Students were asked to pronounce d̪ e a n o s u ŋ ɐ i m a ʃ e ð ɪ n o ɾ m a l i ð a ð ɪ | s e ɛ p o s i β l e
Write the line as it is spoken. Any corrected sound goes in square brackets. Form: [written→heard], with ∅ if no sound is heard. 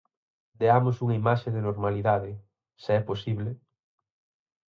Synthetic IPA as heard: d̪ e a [n→m] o s u ŋ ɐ i m a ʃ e ð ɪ n o ɾ m a l i ð a ð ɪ | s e ɛ p o s i β l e

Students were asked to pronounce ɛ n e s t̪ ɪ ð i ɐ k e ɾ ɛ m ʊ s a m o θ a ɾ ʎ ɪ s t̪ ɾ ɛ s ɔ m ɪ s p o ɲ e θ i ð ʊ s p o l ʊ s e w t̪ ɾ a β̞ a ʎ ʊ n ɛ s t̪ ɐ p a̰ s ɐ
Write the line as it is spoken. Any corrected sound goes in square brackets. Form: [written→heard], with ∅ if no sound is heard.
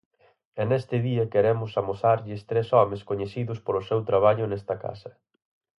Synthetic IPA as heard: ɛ n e s t̪ ɪ ð i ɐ k e ɾ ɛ m ʊ s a m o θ a ɾ ʎ ɪ s t̪ ɾ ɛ s ɔ m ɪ s [p→k] o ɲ e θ i ð ʊ s p o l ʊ s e w t̪ ɾ a β̞ a ʎ ʊ n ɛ s t̪ ɐ [p→k] a̰ s ɐ

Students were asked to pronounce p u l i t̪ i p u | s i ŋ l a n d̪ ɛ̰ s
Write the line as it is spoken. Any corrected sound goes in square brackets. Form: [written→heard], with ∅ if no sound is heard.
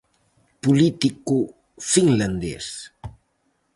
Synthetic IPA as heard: p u l i t̪ i [p→k] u | [s→f] i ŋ l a n d̪ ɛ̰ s

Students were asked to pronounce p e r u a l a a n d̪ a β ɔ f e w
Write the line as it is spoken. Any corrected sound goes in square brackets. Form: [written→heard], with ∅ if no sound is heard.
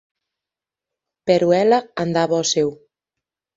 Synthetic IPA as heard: p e [r→ɾ] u [a→ɛ] l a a n d̪ a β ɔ [f→s] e w

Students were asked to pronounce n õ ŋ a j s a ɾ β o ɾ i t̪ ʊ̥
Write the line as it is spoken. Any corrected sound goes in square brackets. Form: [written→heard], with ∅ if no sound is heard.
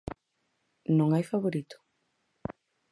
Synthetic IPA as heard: n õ ŋ a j [s→f] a [ɾ→∅] β o ɾ i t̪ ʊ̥

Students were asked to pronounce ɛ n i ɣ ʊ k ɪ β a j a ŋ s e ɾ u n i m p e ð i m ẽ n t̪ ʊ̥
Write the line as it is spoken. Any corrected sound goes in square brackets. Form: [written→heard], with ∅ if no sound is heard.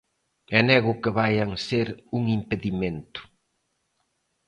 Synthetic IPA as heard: ɛ n [i→ɛ] ɣ ʊ k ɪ β a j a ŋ s e ɾ u [n→ŋ] i m p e ð i m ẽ n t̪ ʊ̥

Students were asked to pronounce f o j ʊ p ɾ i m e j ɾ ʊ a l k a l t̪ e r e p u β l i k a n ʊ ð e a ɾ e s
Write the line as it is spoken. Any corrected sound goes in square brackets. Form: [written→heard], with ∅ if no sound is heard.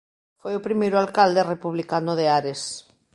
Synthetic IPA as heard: f o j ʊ p ɾ i m e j ɾ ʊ a l k a l [t̪→d̪] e r e p u β l i k a n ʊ ð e a ɾ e s

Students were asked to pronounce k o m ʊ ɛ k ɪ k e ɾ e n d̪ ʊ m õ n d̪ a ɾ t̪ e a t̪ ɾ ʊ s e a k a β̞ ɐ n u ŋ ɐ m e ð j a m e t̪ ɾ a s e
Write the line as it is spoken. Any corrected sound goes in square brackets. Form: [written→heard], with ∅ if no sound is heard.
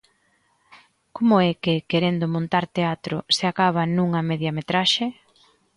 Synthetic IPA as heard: k o m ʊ ɛ k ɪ k e ɾ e n d̪ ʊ m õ n [d̪→t̪] a ɾ t̪ e a t̪ ɾ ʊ s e a k a β̞ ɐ n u ŋ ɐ m e ð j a m e t̪ ɾ a [s→ʃ] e

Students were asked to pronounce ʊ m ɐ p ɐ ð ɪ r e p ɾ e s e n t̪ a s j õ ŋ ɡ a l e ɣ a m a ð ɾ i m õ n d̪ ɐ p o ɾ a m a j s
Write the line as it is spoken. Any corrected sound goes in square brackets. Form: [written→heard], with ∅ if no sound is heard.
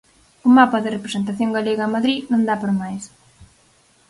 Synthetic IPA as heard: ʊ m [ɐ→a] p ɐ ð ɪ r e p ɾ e s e n t̪ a [s→θ] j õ ŋ ɡ a l e ɣ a m a ð ɾ i [m→n] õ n d̪ [ɐ→a] p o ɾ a m a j s

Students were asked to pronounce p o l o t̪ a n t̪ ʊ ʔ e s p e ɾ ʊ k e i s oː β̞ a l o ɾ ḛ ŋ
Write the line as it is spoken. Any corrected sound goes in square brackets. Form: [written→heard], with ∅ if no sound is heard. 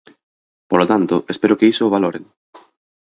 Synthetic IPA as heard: p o l o t̪ a n t̪ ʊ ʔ e s p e ɾ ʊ k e i s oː β̞ a l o ɾ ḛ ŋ

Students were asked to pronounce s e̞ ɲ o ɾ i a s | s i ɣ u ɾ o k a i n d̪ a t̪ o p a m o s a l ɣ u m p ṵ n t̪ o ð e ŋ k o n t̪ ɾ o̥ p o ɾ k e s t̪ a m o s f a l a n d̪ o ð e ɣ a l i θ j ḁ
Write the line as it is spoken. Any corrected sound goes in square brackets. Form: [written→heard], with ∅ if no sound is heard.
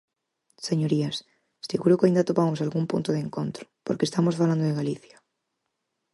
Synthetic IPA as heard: s e̞ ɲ o ɾ i a s | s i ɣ u ɾ o k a i n d̪ a t̪ o p a m o s a l ɣ u m p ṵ n t̪ o ð e ŋ k o n t̪ ɾ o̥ p o ɾ k e s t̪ a m o s f a l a n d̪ o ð e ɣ a l i θ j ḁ

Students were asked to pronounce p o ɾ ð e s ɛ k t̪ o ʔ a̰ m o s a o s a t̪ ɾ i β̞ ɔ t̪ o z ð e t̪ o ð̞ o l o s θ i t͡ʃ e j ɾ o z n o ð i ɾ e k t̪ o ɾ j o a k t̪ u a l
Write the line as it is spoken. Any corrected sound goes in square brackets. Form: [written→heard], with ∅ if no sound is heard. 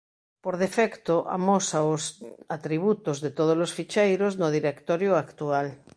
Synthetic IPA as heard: p o ɾ ð e [s→f] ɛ k t̪ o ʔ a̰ m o s a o s a t̪ ɾ i β̞ [ɔ→u] t̪ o z ð e t̪ o ð̞ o l o s [θ→f] i t͡ʃ e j ɾ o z n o ð i ɾ e k t̪ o ɾ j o a k t̪ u a l

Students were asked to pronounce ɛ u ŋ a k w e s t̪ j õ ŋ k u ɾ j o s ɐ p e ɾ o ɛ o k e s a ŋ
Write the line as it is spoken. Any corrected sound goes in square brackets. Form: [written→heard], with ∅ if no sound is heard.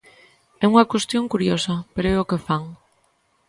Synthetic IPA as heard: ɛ u ŋ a k w e s t̪ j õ ŋ k u ɾ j o s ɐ p e ɾ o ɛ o k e [s→f] a ŋ

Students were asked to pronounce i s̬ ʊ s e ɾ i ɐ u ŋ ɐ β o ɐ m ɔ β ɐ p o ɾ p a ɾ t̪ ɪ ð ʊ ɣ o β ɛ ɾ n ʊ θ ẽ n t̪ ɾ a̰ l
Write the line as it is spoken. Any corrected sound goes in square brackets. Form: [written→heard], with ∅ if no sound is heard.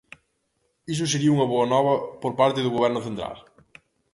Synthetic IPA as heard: i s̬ ʊ s e ɾ i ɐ u ŋ ɐ β o ɐ [m→n] ɔ β ɐ p o ɾ p a ɾ t̪ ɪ ð ʊ ɣ o β ɛ ɾ n ʊ θ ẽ n t̪ ɾ a̰ l

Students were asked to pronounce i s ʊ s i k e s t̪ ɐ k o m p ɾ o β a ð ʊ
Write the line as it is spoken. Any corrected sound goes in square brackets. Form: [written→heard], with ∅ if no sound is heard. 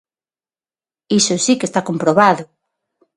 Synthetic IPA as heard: i s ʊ s i k e s t̪ [ɐ→a] k o m p ɾ o β a ð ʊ

